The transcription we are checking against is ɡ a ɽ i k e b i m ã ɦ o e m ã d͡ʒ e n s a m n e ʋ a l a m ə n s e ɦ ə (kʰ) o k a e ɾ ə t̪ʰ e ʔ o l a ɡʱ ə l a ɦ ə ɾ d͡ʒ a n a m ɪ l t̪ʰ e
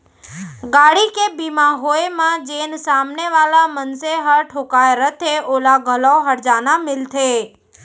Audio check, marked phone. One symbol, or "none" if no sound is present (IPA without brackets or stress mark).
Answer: ʈʰ